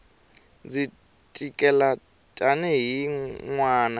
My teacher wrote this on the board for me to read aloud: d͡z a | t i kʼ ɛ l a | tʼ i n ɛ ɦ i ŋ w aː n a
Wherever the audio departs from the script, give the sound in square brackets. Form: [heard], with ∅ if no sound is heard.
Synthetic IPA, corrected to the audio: d͡z [i] | [tʼ] i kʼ ɛ l a | tʼ [a] n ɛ ɦ i ŋ w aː n a